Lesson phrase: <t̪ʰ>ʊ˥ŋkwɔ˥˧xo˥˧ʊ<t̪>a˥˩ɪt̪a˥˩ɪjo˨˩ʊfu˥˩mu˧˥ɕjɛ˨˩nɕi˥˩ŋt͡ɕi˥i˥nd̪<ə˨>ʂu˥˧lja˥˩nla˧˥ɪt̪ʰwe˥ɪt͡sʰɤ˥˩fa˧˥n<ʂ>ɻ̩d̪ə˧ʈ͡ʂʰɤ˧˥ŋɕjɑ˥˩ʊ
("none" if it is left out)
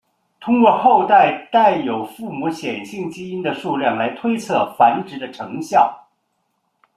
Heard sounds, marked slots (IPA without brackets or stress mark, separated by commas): t̪ʰ, t̪, ə˨, ʈ͡ʂ